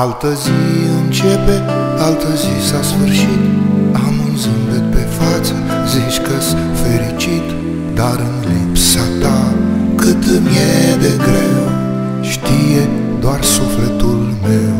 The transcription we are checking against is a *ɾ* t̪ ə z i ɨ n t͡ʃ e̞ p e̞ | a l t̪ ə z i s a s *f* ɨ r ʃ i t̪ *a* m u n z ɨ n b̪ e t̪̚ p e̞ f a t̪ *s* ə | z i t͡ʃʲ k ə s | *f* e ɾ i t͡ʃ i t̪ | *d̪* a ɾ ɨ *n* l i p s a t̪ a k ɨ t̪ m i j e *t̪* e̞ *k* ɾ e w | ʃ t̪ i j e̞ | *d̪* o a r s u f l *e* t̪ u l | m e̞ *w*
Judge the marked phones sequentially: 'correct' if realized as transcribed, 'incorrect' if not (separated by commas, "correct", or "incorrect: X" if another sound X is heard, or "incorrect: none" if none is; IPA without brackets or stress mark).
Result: incorrect: l, correct, correct, correct, correct, correct, correct, incorrect: d̪, incorrect: ɡ, correct, correct, correct